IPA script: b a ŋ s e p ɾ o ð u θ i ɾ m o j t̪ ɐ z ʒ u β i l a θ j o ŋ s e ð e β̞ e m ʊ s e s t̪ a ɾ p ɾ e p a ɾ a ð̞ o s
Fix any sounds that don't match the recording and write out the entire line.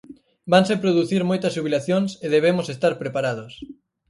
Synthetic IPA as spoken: b a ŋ s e p ɾ o ð u θ i ɾ m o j t̪ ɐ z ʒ u β i l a θ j o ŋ s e ð e β̞ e m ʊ s e s t̪ a ɾ p ɾ e p a ɾ a ð̞ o s